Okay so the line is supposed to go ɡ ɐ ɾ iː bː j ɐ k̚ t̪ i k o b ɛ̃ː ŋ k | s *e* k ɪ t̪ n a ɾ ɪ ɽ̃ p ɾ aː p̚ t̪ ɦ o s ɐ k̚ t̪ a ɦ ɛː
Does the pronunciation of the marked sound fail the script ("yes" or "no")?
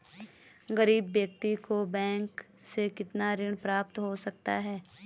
no